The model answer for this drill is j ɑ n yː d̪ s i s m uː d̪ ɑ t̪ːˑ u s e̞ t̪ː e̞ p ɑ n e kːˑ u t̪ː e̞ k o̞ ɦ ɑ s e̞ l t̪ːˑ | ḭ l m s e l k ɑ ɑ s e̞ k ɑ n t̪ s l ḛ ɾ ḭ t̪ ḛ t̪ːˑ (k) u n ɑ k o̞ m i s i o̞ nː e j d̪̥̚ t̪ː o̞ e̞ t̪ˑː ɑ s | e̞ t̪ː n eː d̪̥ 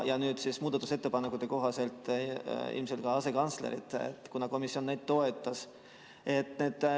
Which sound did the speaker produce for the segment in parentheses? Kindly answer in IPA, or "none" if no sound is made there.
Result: k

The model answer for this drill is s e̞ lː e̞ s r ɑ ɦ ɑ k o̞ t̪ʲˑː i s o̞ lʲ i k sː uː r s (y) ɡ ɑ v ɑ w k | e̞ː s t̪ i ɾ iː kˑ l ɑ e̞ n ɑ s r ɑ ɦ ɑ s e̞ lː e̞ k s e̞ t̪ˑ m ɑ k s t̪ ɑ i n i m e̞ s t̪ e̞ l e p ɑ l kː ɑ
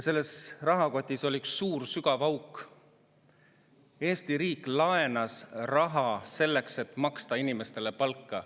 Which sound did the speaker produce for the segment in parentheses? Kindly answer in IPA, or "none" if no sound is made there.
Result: y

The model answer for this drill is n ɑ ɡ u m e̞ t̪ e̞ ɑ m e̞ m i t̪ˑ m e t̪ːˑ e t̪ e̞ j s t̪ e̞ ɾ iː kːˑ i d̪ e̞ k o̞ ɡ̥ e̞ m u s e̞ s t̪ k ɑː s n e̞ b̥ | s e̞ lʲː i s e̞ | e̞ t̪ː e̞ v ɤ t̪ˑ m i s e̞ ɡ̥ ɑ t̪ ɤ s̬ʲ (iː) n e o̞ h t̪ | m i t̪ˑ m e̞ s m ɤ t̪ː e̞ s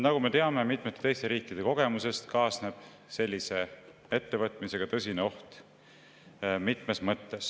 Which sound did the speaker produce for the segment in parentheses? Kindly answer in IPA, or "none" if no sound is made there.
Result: i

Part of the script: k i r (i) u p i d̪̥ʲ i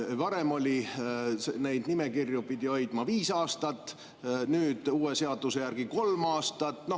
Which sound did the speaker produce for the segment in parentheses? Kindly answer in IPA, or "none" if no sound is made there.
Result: j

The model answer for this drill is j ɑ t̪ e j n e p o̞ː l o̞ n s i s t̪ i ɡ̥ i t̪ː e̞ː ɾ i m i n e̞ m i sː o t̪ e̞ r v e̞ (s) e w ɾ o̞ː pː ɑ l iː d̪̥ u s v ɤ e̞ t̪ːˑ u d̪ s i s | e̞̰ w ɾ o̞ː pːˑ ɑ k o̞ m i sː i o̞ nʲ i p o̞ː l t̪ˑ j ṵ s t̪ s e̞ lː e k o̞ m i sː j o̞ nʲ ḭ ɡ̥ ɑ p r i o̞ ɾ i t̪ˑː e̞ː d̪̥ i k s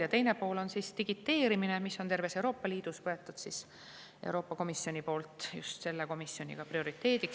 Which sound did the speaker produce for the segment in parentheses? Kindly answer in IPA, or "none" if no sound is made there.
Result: s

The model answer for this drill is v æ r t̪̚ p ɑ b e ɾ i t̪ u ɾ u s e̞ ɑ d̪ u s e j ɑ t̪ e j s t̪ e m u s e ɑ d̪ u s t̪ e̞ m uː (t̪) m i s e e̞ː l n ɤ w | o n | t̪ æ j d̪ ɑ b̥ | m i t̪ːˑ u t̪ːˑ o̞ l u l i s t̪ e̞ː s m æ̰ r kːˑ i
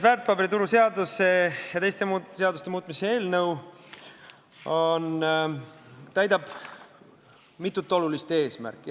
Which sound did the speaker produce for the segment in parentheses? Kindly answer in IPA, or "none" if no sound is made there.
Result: t̪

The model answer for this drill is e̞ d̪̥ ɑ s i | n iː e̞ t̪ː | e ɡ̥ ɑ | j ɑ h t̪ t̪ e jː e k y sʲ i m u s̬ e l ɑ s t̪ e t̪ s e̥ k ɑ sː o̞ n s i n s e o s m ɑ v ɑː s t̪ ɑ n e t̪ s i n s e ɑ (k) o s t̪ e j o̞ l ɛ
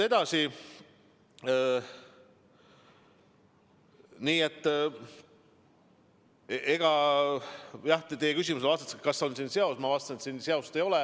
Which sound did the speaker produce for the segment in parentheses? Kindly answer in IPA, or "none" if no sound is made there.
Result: none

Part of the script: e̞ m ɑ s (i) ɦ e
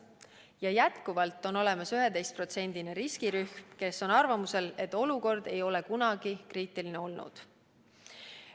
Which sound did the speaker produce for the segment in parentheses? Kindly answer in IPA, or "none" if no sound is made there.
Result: y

